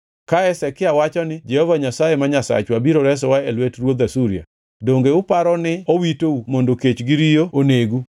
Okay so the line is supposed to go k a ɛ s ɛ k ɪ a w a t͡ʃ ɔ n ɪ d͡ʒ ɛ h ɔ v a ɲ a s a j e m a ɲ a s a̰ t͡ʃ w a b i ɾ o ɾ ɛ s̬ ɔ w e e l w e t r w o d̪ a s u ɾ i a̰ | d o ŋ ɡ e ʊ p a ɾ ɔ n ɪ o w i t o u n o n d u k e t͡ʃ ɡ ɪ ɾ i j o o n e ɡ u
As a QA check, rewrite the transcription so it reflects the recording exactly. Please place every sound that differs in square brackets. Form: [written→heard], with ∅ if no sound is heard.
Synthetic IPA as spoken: k a ɛ s ɛ k ɪ a w a t͡ʃ ɔ n ɪ d͡ʒ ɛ h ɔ v a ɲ a s a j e m a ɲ a s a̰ t͡ʃ w a b i ɾ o ɾ ɛ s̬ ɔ w [e→a] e l w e t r w o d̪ a s u ɾ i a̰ | d o ŋ ɡ e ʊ p a ɾ ɔ n ɪ o w i t o u [n→m] o n d [u→o] k e t͡ʃ ɡ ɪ ɾ i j o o n e ɡ u